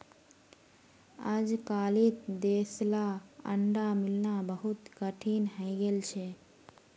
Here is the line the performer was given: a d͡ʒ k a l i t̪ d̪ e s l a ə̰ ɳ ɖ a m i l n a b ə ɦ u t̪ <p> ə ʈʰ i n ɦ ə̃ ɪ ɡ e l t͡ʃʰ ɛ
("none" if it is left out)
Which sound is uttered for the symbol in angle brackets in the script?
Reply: k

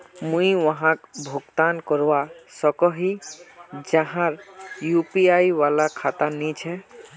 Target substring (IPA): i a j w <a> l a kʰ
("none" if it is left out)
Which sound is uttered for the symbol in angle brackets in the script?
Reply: a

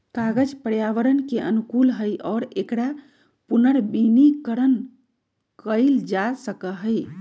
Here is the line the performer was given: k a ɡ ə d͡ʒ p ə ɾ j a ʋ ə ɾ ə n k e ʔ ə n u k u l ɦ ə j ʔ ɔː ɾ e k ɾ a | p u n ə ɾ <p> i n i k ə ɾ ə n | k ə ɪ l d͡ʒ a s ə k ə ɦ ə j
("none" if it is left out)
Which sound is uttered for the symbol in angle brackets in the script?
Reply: b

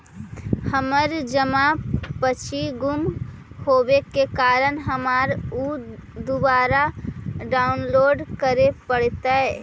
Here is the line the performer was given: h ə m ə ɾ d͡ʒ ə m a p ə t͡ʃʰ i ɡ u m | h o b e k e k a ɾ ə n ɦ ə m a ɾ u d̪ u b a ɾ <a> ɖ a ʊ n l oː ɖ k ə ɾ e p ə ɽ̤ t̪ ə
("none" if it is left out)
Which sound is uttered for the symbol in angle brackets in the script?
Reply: a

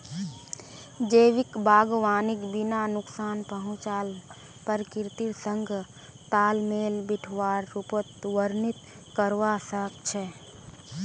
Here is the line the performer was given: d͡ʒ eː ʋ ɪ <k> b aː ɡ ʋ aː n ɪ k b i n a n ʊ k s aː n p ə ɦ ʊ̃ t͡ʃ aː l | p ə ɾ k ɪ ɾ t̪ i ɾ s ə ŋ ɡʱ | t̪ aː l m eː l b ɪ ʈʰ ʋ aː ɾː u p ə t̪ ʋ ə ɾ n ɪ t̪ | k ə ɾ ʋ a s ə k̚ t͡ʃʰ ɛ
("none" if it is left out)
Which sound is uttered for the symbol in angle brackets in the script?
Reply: k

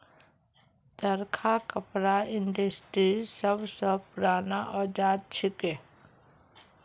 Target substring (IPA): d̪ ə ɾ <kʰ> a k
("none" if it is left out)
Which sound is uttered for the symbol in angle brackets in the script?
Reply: kʰ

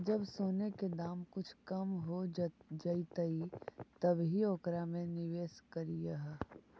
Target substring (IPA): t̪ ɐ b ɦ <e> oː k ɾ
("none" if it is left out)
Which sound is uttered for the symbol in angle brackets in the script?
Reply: i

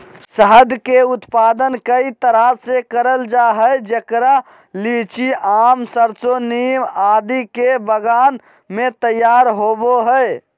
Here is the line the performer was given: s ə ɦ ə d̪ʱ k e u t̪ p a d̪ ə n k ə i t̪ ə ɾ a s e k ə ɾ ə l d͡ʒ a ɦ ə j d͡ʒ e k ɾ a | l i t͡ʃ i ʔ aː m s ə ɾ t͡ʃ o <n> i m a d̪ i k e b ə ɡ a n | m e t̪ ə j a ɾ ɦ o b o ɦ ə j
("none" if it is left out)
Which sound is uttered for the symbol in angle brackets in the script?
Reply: n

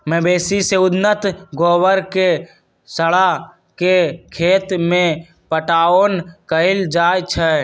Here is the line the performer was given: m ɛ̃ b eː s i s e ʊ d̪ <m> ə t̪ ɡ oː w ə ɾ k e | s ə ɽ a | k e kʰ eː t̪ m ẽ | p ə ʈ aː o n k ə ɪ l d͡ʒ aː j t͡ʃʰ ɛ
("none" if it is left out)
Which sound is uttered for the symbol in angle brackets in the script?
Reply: n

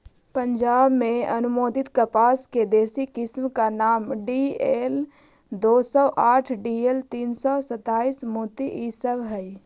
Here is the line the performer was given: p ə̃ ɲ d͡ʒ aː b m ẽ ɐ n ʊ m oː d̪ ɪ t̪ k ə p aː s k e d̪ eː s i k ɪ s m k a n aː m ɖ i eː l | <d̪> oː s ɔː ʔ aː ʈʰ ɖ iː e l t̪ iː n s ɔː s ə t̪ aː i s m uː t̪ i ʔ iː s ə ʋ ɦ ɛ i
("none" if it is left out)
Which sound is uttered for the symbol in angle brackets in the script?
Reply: d̪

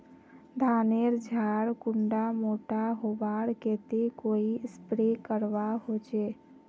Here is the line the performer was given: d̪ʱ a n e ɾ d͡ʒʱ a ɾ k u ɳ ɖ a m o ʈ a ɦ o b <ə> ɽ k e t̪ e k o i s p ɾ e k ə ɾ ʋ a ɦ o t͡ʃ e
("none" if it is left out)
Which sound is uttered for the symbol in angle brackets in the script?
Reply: a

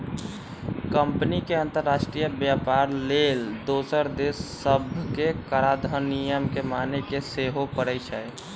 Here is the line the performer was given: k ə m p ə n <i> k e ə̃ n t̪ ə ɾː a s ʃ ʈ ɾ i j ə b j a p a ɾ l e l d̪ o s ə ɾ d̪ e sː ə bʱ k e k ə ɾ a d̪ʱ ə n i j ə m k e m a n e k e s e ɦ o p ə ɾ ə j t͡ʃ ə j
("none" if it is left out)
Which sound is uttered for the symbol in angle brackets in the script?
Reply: i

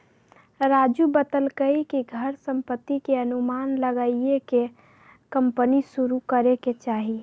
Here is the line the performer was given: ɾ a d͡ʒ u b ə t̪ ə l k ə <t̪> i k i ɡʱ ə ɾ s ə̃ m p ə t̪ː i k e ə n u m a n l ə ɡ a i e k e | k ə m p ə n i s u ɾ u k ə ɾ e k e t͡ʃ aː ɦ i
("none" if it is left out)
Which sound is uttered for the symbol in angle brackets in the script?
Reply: none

